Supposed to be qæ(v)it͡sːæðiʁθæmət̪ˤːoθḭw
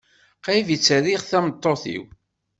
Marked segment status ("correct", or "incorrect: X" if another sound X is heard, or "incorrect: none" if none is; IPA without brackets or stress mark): correct